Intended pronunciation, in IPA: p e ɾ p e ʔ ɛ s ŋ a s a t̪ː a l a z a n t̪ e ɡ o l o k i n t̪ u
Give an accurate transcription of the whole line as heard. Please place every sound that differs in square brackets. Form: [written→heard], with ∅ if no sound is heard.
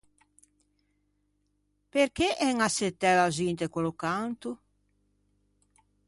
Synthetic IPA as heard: p e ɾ [p→k] e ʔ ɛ [s→∅] ŋ a s [a→e] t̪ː [a→ɛ] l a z [a→i] n t̪ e [ɡ→k] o l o k [i→a] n t̪ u